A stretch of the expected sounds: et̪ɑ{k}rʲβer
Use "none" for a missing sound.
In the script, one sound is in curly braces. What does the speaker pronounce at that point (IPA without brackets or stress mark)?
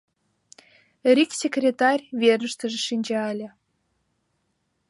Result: none